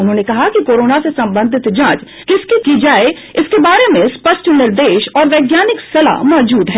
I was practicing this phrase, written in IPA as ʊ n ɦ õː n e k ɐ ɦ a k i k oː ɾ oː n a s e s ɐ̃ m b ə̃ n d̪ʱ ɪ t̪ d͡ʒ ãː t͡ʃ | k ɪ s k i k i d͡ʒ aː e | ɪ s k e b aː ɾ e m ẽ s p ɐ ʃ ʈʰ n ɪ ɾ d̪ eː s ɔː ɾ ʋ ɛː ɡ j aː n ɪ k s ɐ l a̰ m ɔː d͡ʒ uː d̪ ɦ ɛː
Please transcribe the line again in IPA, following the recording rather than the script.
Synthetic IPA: ʊ n ɦ õː n e k ɐ ɦ a k i k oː ɾ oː n a s e s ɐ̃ m b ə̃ n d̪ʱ ɪ t̪ d͡ʒ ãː t͡ʃ | k ɪ s k i k i d͡ʒ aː e | ɪ s k e b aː ɾ e m ẽ s p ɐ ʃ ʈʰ n ɪ ɾ d̪ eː ʃ ɔː ɾ ʋ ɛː ɡ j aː n ɪ k s ɐ l a̰ m ɔː d͡ʒ uː d̪ ɦ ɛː